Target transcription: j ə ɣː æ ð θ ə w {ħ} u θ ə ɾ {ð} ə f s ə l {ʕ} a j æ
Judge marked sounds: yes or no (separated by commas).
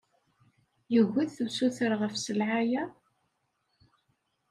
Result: no, no, yes